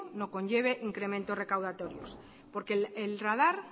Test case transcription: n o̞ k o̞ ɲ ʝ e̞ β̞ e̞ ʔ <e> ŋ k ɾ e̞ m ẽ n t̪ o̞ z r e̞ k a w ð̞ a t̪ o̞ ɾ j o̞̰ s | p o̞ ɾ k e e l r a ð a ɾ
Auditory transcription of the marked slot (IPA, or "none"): i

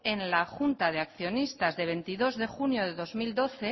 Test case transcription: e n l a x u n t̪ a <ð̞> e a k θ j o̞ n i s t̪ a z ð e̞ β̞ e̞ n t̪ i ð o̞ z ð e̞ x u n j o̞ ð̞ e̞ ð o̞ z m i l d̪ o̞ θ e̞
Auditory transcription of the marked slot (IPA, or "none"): ð̞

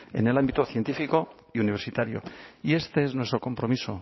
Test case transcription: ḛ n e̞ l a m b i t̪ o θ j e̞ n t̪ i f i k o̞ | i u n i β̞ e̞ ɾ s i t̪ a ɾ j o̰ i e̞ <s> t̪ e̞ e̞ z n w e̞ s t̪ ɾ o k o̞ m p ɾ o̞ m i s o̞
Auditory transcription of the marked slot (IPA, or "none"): s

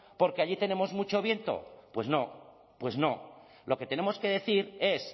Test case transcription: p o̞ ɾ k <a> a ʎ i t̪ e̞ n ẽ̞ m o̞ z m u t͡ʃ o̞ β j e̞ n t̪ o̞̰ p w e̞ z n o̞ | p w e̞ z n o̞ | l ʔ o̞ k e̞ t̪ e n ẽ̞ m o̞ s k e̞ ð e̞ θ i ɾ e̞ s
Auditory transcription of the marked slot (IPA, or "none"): e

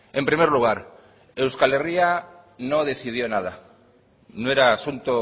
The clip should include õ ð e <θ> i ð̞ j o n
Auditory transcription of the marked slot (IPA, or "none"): θ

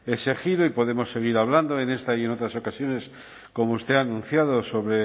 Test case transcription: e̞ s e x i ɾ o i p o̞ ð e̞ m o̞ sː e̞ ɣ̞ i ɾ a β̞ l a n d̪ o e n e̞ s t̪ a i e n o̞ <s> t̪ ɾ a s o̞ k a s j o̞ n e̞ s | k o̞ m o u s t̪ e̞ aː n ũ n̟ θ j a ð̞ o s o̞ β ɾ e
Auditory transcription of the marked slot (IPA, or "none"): none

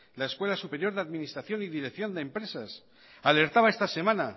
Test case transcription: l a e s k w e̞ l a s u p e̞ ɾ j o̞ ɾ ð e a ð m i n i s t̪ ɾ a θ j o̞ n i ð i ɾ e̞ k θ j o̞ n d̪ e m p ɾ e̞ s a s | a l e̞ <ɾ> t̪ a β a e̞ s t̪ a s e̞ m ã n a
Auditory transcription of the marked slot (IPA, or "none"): ɾ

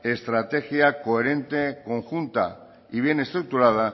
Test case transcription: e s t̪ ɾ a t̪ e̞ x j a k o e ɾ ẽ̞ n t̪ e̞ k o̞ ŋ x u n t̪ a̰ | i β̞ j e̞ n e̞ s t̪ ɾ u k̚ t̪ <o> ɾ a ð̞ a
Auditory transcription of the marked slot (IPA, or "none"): u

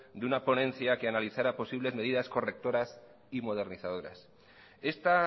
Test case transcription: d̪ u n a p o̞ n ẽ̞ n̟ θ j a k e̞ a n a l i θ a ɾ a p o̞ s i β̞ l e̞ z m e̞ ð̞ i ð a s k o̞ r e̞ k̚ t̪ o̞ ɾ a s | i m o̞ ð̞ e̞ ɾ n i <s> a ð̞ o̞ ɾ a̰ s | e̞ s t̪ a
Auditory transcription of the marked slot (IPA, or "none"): θ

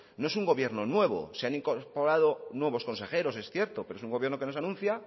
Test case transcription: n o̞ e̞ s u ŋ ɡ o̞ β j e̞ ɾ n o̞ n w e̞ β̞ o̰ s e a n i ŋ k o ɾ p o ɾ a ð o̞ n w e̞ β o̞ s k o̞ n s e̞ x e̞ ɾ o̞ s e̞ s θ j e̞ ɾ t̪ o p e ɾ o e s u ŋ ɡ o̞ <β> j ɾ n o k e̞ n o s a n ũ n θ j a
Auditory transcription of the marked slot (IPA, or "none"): β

